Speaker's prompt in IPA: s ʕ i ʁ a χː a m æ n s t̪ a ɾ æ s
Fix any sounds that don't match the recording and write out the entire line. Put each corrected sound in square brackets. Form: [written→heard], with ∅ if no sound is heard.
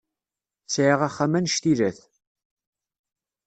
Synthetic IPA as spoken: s ʕ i ʁ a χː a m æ n [s→ʃ] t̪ [a→i] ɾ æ [s→θ]